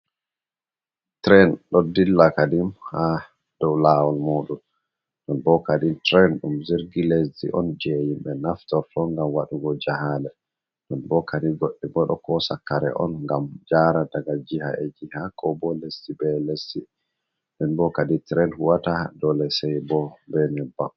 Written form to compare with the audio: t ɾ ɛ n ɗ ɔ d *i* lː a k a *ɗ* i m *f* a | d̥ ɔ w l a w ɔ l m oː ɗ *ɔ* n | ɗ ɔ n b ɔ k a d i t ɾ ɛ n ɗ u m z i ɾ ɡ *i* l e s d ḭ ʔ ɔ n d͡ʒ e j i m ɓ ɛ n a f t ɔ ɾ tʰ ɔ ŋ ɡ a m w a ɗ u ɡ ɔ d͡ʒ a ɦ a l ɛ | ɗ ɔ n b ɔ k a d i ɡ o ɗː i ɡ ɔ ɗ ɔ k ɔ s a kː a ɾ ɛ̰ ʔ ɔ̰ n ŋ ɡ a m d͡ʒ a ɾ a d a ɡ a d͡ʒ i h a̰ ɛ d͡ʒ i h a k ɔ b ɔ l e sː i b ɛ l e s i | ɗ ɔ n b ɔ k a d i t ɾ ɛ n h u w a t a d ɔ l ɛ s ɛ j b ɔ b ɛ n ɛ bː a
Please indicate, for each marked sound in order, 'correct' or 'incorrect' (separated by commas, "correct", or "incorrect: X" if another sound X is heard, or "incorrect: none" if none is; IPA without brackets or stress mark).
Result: correct, incorrect: d, incorrect: h, incorrect: u, correct